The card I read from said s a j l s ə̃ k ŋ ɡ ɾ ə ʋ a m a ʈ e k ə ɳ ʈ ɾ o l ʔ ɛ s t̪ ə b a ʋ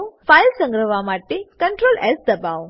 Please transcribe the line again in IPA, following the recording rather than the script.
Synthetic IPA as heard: f a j l s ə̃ ŋ ɡ ɾ ə ʋ a m a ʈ e k ə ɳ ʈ ɾ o l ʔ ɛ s d̪ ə b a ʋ